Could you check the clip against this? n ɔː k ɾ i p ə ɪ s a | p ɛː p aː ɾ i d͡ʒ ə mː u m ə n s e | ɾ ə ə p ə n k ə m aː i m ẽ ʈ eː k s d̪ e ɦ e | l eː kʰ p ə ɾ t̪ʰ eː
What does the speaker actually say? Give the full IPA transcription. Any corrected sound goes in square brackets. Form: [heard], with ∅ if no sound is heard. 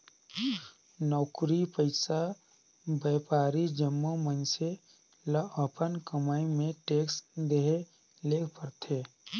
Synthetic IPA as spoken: n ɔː k ɾ i p ə ɪ s a | [b] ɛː p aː ɾ i d͡ʒ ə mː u m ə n s e | [l] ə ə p ə n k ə m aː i m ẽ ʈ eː k s d̪ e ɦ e | l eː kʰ p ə ɾ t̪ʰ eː